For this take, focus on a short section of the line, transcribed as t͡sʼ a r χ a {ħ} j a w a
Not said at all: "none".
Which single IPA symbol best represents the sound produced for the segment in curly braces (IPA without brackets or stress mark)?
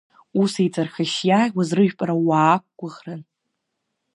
ʃ